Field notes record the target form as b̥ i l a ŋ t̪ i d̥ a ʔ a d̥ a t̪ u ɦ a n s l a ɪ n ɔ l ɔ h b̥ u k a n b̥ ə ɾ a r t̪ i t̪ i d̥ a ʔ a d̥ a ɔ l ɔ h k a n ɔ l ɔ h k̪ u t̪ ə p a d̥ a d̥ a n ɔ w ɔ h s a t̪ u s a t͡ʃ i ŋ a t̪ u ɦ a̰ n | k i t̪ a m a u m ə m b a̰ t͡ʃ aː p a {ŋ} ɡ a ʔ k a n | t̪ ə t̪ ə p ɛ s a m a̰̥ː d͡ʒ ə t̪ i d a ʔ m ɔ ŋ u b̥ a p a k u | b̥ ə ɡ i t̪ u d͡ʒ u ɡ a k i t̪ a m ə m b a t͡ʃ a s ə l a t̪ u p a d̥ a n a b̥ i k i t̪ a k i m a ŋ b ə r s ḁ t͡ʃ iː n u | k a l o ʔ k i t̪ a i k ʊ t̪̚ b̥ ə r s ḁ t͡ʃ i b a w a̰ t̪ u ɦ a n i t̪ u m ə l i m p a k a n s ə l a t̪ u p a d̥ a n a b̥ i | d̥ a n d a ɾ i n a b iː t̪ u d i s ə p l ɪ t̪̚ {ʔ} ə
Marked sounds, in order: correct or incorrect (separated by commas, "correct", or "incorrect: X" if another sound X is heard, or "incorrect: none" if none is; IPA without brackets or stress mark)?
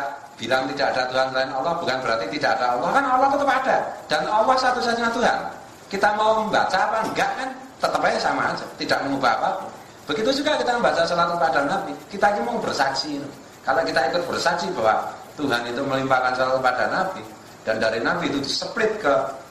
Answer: correct, incorrect: k